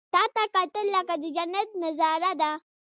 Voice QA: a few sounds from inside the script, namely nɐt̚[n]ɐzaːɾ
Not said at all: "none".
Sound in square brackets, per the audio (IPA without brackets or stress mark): n